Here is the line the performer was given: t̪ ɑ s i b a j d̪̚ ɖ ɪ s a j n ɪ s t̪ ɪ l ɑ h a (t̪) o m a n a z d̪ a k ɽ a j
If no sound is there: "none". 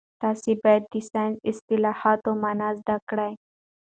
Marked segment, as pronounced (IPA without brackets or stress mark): t̪